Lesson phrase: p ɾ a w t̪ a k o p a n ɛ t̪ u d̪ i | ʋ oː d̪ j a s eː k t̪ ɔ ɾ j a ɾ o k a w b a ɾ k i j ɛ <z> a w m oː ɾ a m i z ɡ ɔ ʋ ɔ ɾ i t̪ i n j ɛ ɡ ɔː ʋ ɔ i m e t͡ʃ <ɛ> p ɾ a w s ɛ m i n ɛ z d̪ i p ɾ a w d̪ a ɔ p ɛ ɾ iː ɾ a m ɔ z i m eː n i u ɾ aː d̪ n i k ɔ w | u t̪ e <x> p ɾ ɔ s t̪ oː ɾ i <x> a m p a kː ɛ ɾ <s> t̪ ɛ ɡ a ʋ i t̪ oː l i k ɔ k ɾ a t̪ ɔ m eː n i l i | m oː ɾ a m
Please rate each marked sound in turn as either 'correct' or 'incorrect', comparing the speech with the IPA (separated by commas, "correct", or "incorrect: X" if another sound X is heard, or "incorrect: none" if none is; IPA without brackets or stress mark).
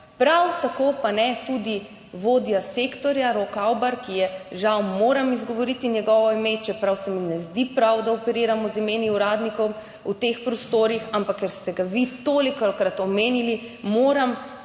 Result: incorrect: ʒ, correct, correct, correct, correct